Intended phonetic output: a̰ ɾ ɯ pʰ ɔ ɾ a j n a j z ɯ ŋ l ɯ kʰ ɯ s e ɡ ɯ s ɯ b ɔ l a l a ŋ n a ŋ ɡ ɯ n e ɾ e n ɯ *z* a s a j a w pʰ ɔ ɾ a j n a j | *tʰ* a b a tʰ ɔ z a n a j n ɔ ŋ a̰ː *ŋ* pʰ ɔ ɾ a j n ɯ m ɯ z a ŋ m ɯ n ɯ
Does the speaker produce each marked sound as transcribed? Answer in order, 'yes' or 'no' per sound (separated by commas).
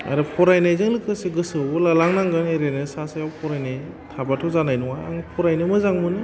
no, yes, yes